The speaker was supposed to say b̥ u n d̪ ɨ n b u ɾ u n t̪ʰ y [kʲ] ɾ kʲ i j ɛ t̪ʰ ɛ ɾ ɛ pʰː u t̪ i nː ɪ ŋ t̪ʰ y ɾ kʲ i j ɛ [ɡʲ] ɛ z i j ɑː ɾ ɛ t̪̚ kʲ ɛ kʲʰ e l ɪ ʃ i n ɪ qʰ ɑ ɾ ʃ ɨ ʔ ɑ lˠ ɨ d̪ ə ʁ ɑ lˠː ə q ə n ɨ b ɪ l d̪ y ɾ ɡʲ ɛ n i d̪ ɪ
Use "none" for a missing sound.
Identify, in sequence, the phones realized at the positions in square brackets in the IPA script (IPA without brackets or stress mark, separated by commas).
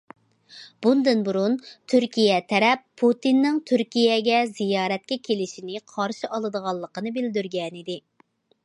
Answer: none, ɡʲ